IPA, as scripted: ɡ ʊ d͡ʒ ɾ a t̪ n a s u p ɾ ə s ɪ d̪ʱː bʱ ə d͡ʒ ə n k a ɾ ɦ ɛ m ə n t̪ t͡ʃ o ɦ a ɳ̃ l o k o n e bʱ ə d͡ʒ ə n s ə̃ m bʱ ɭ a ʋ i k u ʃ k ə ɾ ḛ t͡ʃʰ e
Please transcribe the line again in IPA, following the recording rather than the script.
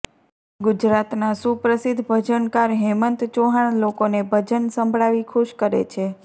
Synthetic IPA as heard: ɡ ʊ d͡ʒ ɾ a t̪ n a s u p ɾ ə s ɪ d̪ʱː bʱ ə d͡ʒ ə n k a ɾ ɦ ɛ m ə n t̪ t͡ʃ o ɦ a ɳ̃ l o k o n e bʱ ə d͡ʒ ə n s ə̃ m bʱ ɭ a ʋ i kʰ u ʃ k ə ɾ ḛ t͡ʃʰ e

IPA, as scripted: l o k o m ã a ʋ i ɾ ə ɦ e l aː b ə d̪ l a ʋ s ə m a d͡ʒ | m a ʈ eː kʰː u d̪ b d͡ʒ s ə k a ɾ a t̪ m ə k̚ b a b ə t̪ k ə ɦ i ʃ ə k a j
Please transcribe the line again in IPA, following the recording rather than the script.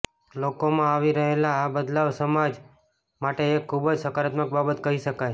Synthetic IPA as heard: l o k o m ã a ʋ i ɾ ə ɦ e l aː b ə d̪ l a ʋ s ə m a d͡ʒ | m a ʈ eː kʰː u b d͡ʒ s ə k a ɾ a t̪ m ə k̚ b a b ə t̪ k ə ɦ i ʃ ə k a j

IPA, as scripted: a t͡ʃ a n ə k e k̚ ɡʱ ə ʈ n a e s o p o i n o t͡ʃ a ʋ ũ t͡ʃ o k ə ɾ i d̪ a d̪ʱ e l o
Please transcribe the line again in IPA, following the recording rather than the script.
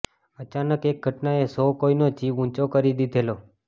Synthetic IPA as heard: ə t͡ʃ a n ə k e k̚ ɡʱ ə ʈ n a e s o k o i n o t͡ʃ i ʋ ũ t͡ʃ o k ə ɾ i d̪ i d̪ʱ e l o

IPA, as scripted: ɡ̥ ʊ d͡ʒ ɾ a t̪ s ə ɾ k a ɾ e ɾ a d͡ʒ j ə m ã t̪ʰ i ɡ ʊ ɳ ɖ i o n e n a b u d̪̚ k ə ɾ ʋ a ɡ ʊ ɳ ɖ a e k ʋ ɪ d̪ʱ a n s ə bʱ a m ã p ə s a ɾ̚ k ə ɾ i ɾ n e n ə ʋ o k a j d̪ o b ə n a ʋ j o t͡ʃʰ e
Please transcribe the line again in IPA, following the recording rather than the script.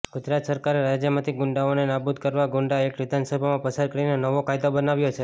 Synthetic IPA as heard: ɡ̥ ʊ d͡ʒ ɾ a t̪ s ə ɾ k a ɾ e ɾ a d͡ʒ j ə m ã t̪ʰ i ɡ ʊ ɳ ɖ a o n e n a b u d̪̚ k ə ɾ ʋ a ɡ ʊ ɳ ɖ a e k ʋ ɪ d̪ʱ a n s ə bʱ a m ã p ə s a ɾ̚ k ə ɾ i n e n ə ʋ o k a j d̪ o b ə n a ʋ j o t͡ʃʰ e

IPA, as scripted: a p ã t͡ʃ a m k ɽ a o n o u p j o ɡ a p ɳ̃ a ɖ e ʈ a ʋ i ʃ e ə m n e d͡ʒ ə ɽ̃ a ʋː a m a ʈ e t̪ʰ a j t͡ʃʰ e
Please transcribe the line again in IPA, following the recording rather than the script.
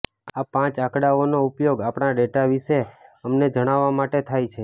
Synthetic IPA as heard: a p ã t͡ʃ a k ɽ a o n o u p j o ɡ a p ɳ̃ a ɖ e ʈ a ʋ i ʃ e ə m n e d͡ʒ ə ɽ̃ a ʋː a m a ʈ e t̪ʰ a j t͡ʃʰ e

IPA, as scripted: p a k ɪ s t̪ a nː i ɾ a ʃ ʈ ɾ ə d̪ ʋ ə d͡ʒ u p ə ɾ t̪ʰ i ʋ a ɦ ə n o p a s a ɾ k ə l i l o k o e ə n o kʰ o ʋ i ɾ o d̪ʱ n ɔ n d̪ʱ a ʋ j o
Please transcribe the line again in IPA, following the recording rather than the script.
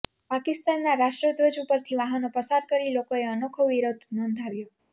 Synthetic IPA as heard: p a k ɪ s t̪ a nː a ɾ a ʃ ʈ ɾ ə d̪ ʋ ə d͡ʒ u p ə ɾ t̪ʰ i ʋ a ɦ ə n o p ə s a ɾ k ə ɾ i l o k o e ə n o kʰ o ʋ i ɾ o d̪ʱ n ɔ n d̪ʱ a ʋ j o

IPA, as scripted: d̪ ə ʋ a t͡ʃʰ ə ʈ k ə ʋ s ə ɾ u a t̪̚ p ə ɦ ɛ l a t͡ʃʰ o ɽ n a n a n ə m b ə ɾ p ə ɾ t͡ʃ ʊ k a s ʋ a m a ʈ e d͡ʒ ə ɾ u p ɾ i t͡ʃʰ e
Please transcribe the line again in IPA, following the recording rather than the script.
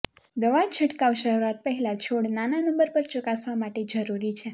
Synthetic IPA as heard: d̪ ə ʋ a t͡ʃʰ ə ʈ k a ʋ ʃ ə ɾ u a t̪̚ p ə ɦ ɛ l a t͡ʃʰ o ɽ n a n a n ə m b ə ɾ p ə ɾ t͡ʃ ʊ k a s ʋ a m a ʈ e d͡ʒ ə ɾ u ɾ i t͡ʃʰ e

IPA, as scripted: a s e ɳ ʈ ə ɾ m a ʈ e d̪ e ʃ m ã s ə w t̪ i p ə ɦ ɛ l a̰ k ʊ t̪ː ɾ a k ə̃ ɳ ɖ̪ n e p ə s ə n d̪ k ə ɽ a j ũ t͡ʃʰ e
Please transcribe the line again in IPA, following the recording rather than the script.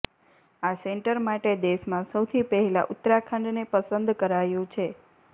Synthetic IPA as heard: a s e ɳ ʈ ə ɾ m a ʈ e d̪ e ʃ m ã s ə w t̪ʰ i p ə ɦ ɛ l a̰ ʔ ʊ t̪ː ɾ a kʰ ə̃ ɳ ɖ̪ n e p ə s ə n d̪ k ə ɾ a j ũ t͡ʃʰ e

